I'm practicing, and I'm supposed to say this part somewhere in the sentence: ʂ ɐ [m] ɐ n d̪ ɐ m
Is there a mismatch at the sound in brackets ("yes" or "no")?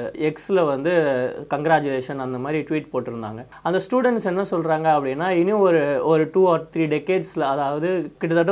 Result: yes